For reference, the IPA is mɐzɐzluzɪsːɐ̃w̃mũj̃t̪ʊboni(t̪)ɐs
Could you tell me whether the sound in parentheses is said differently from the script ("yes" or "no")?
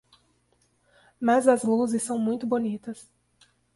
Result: no